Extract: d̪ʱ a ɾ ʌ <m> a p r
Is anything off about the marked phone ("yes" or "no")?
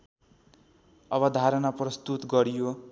yes